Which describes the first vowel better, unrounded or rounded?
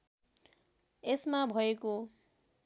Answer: unrounded